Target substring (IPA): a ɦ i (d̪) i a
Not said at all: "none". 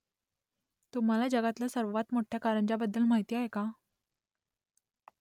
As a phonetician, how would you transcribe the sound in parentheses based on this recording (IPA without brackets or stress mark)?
t̪